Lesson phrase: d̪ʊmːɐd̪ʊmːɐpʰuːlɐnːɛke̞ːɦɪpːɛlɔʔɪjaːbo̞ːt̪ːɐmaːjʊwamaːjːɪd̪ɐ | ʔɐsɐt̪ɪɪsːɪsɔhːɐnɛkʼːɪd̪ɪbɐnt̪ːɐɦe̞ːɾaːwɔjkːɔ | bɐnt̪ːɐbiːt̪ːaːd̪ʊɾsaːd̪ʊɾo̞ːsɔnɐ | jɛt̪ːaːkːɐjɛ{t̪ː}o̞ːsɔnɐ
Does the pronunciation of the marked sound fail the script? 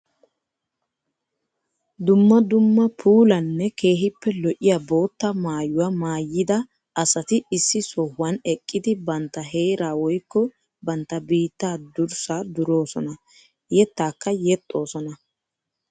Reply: yes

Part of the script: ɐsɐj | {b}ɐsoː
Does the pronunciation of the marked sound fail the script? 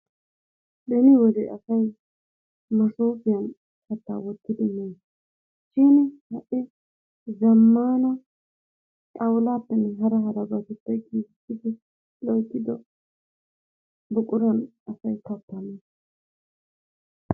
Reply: yes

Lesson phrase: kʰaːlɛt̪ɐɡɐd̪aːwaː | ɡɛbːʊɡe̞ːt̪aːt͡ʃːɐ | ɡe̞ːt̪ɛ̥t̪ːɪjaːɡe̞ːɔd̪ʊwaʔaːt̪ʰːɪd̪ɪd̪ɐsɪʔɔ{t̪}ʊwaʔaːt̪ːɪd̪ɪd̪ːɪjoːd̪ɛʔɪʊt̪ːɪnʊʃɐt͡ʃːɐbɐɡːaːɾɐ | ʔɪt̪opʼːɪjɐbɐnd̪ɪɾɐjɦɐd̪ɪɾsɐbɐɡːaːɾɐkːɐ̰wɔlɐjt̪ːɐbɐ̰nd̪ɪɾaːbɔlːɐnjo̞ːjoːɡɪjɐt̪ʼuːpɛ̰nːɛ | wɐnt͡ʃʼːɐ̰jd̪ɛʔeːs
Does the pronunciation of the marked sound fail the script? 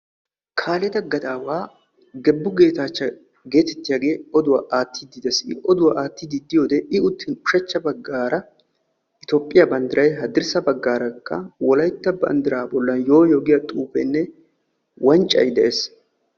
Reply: yes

